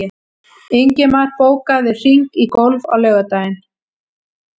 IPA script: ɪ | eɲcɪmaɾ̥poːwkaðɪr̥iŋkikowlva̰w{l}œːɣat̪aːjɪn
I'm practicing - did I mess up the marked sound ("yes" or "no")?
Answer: no